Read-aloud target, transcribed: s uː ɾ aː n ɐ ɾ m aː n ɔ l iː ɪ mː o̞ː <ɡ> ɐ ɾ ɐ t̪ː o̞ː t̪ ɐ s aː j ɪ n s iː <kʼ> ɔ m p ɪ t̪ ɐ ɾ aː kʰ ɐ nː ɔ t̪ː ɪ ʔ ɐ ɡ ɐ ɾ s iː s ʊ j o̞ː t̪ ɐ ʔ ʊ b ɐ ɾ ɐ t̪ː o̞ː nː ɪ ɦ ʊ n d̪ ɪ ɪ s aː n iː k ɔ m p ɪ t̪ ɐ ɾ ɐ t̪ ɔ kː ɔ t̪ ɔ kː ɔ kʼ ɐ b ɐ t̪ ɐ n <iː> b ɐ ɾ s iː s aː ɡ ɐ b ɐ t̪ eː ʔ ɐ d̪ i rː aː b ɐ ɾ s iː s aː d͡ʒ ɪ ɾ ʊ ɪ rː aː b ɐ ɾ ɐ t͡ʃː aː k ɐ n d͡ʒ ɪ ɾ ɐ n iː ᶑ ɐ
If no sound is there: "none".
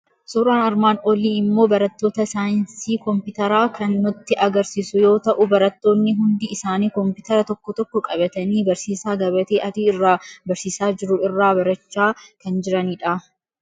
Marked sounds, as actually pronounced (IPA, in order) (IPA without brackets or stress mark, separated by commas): b, k, iː